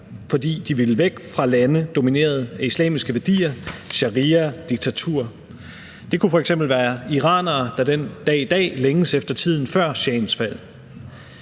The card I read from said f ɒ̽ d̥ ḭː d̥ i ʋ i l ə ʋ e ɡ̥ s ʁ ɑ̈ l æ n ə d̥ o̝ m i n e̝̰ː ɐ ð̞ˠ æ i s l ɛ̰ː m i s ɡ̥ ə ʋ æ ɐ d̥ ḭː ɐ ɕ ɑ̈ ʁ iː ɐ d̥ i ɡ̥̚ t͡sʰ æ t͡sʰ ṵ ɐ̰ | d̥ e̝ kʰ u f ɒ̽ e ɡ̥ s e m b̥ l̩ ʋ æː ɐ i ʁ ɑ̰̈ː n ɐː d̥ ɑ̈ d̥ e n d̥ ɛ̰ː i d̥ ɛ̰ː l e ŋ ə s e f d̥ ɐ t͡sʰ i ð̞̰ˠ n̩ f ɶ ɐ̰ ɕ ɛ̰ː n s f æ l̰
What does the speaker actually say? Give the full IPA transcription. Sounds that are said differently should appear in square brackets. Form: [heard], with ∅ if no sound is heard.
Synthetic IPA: f ɒ̽ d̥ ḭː d̥ i ʋ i l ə ʋ e ɡ̥ [f] ʁ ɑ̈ l æ n ə d̥ o̝ m i n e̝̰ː ɐ ð̞ˠ æ i s l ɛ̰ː m i s ɡ̥ ə ʋ æ ɐ d̥ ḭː ɐ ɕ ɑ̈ ʁ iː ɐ d̥ i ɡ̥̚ t͡sʰ æ t͡sʰ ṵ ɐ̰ | d̥ e̝ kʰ u f ɒ̽ e ɡ̥ s e m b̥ l̩ ʋ æː ɐ i ʁ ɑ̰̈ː n ɐː d̥ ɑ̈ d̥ e n d̥ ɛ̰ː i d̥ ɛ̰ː l e ŋ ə s e f d̥ ɐ t͡sʰ i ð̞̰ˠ n̩ f ɶ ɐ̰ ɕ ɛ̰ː n s f æ l̰